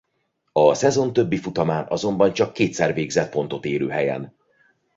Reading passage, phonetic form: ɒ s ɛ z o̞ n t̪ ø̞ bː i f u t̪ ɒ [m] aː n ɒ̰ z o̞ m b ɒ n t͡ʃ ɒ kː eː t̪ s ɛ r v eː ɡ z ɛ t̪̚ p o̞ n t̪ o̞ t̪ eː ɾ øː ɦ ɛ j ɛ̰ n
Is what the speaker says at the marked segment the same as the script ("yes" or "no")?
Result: yes